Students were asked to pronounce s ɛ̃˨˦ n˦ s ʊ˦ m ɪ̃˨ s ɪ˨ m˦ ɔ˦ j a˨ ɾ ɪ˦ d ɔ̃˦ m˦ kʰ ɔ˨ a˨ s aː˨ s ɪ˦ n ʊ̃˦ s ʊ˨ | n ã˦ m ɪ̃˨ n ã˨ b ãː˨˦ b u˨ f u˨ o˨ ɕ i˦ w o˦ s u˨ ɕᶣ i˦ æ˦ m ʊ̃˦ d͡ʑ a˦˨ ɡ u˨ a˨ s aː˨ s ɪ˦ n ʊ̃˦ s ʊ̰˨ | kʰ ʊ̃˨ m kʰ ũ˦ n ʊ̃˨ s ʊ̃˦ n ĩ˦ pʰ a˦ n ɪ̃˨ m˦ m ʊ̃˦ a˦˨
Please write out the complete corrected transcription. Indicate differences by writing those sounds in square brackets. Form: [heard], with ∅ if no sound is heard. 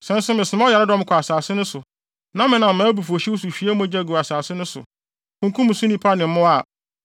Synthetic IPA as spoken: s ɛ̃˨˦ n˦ s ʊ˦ m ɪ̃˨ s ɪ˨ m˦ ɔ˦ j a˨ ɾ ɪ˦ d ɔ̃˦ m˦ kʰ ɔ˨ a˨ s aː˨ s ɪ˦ n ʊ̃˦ s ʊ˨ | n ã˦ m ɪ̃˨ n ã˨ [m] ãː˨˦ b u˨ f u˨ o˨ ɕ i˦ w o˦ s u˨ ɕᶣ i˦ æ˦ m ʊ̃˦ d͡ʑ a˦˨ ɡ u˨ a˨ s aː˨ s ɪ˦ n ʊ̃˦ s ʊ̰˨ | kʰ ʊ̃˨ [ŋ] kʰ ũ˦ [m] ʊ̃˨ s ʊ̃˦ n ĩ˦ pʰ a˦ n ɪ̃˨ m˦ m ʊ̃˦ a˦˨